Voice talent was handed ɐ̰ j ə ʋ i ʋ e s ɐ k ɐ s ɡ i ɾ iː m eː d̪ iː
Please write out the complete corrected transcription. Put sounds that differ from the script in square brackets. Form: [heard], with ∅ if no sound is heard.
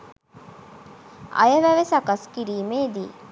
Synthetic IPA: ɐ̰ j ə ʋ [æ] ʋ e s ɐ k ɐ s [k] i ɾ iː m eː d̪ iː

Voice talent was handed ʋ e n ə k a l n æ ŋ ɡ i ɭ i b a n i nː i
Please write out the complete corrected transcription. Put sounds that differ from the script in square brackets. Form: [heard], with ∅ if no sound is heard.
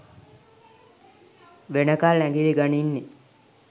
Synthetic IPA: ʋ e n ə k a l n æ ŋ ɡ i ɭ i [ɡ] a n i nː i

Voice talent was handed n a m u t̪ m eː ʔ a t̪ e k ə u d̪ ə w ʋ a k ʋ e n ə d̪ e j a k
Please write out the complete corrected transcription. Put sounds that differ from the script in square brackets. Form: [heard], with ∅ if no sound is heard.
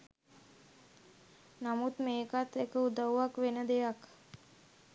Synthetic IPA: n a m u t̪ m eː [k] a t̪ e k ə u d̪ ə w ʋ a k ʋ e n ə d̪ e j a k

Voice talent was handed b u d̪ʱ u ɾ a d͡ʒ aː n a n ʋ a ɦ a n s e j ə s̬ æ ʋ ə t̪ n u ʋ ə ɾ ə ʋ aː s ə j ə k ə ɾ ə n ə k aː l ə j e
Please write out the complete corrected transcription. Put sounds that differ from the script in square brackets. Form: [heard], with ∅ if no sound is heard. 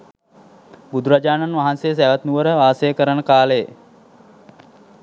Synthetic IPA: b u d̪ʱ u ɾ a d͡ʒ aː n a n ʋ a ɦ a n s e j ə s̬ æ ʋ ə t̪ n u ʋ ə ɾ ə ʋ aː s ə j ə k ə ɾ ə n ə k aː l ə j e

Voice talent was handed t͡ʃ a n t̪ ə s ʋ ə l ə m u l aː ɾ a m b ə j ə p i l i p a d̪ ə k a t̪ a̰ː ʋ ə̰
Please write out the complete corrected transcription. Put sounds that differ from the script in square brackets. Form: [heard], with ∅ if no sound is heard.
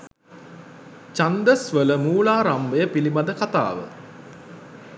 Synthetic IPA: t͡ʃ a n [d̪] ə s ʋ ə l ə m [uː] l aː ɾ a m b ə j ə p i l i [b] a d̪ ə k a t̪ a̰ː ʋ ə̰

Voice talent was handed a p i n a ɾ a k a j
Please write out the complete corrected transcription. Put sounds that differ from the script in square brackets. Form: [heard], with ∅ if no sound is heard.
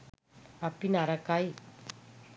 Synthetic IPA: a p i n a ɾ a k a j

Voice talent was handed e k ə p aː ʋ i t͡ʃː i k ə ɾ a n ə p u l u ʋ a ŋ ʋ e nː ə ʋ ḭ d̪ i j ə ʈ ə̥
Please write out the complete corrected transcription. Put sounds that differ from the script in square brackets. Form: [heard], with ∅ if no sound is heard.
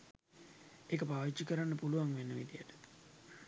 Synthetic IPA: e k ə p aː ʋ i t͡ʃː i k ə ɾ a [nː] ə p u l u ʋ a ŋ ʋ e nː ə ʋ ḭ d̪ i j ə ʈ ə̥

